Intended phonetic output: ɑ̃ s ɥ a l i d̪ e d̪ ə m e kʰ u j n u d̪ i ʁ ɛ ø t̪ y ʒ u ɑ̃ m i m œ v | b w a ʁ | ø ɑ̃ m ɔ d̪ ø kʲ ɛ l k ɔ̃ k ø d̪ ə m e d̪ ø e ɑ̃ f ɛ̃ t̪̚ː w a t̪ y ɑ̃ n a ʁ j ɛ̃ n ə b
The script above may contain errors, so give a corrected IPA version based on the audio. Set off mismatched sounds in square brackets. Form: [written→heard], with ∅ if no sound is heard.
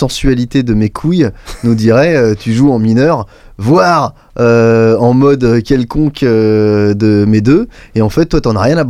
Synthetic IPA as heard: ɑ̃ s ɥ a l i [d̪→t̪] e d̪ ə m e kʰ u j n u d̪ i ʁ ɛ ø t̪ y ʒ u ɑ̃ m i [m→n] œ [v→ʁ] | [b→v] w a ʁ | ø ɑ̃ m ɔ d̪ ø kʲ ɛ l k ɔ̃ k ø d̪ ə m e d̪ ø e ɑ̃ f [ɛ̃→ɛ] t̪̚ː w a t̪ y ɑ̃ n a ʁ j ɛ̃ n [ə→a] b